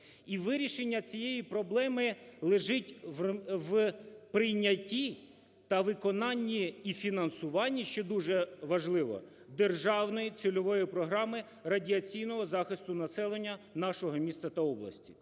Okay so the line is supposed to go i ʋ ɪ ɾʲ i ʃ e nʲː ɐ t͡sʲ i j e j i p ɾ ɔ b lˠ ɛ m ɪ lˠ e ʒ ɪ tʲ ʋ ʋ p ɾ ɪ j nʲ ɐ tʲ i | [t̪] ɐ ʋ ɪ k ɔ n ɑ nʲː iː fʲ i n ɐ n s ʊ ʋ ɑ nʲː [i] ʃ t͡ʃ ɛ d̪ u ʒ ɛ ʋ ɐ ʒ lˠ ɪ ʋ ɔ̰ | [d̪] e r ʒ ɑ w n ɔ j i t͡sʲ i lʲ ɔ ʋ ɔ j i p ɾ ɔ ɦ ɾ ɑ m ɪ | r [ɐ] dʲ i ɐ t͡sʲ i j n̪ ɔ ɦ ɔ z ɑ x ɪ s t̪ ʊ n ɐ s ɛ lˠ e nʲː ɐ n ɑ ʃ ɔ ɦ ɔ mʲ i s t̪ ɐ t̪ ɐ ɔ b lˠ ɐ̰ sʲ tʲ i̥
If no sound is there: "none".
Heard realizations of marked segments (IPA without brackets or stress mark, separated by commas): t̪, i, d̪, ɐ